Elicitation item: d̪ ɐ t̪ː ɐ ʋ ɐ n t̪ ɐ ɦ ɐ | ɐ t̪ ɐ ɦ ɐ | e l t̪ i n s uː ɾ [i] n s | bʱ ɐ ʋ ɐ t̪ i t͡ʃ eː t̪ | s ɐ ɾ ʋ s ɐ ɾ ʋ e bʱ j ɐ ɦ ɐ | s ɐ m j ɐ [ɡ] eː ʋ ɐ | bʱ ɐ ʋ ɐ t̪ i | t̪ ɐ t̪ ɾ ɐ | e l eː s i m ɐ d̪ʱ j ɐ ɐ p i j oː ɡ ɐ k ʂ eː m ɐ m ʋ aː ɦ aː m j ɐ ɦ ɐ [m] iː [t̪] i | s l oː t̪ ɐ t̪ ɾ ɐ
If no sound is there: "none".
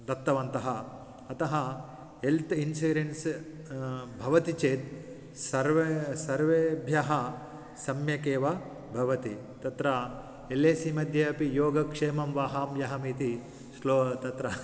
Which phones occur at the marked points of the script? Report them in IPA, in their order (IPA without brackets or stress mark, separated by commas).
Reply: e, k, m, t̪